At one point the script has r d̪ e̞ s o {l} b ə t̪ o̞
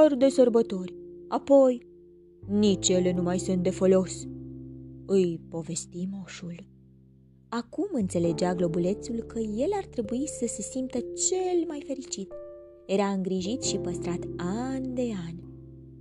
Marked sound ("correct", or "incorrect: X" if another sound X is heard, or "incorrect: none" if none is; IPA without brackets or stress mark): incorrect: r